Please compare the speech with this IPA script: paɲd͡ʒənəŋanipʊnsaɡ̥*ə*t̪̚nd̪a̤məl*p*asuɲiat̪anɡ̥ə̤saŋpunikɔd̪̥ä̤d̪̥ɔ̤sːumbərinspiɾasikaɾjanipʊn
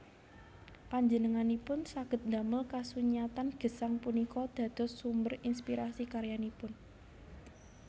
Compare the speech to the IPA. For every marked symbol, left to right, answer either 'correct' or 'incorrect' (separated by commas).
correct, incorrect